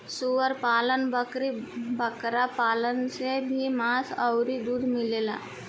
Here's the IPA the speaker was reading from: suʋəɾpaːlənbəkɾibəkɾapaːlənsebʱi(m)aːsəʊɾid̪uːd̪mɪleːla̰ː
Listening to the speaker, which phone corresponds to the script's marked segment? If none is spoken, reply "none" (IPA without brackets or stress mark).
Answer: m